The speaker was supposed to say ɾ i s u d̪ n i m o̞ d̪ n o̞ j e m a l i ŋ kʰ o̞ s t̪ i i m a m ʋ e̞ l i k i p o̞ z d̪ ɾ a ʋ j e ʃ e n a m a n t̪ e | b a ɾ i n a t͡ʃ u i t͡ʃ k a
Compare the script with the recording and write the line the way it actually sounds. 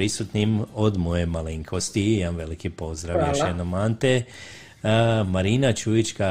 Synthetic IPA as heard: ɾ i s u t̪ n i m o̞ d̪ m o̞ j e m a l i ŋ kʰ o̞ s t̪ i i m a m ʋ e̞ l i k i p o̞ z d̪ ɾ a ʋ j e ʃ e n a m a n t̪ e | m a ɾ i n a t͡ʃ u i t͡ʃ k a